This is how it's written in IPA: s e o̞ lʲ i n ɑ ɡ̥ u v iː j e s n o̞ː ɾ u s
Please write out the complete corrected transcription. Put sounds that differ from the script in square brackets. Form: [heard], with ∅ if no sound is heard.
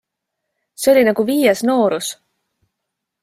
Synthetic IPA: s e o̞ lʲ i n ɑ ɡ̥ u v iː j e s n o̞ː ɾ u s